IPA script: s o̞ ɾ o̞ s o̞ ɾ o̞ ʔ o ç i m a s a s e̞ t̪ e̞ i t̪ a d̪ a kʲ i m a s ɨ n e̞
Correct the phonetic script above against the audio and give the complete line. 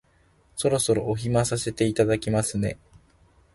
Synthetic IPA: s o̞ ɾ o̞ s o̞ ɾ o̞ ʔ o ç i m a s a s e̞ t̪ e̞ i t̪ a d̪ a kʲ i m a s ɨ n e̞

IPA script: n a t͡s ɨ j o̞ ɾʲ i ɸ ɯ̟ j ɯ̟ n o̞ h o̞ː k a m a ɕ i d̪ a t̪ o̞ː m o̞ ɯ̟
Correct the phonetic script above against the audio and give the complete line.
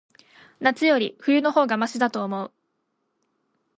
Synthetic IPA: n a t͡s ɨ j o̞ ɾʲ i ɸ ɯ̟ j ɯ̟ n o̞ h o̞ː ɡ a m a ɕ i d̪ a t̪ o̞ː m o̞ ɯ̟

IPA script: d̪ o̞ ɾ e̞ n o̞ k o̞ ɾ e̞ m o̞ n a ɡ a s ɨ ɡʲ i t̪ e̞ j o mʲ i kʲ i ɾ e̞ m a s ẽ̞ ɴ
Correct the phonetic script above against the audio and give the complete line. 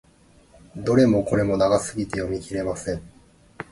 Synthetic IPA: d̪ o̞ ɾ e̞ m o̞ k o̞ ɾ e̞ m o̞ n a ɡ a s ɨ ɡʲ i t̪ e̞ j o mʲ i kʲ i ɾ e̞ m a s ẽ̞ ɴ

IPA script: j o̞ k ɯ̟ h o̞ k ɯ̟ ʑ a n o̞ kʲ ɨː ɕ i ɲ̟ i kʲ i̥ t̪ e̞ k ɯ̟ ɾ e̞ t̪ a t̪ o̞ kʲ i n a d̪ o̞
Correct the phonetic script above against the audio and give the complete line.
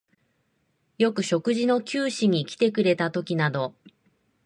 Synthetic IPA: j o̞ k ɯ̟ ɕ o̞ k ɯ̟ ʑ i n o̞ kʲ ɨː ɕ i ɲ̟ i kʲ i̥ t̪ e̞ k ɯ̟ ɾ e̞ t̪ a t̪ o̞ kʲ i n a d̪ o̞

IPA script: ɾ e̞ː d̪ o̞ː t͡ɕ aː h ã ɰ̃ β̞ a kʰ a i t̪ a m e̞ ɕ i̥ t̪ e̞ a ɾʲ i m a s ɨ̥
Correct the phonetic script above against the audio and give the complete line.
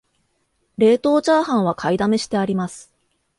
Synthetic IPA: ɾ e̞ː t̪ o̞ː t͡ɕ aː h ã ɰ̃ β̞ a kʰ a i d̪ a m e̞ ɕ i̥ t̪ e̞ a ɾʲ i m a s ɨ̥

